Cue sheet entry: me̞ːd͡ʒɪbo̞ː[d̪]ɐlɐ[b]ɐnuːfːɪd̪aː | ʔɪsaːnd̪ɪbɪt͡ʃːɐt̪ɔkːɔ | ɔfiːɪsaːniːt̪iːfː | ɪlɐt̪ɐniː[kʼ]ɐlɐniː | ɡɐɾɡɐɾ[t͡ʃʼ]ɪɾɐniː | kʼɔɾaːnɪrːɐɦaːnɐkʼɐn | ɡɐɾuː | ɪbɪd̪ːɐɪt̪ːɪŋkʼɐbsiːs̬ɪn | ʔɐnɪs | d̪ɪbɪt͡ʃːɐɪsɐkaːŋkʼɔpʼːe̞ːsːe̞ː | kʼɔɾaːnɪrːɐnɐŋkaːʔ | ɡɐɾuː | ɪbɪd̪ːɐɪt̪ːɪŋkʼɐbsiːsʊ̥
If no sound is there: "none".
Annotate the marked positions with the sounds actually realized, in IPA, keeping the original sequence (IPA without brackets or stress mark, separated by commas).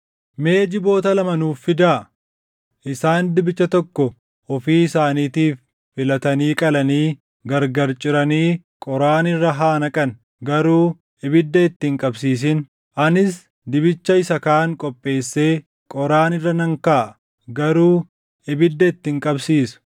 t̪, m, kʼ, t͡ʃʼ